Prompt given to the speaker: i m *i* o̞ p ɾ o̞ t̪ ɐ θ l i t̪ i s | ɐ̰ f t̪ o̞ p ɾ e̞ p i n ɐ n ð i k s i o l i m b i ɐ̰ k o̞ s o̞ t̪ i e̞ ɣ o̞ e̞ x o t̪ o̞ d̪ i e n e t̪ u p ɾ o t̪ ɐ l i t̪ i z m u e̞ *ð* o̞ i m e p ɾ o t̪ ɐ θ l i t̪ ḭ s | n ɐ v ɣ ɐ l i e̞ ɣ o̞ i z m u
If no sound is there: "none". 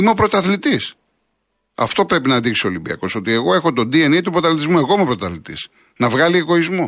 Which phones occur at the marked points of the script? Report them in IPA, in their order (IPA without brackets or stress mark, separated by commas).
e, ɣ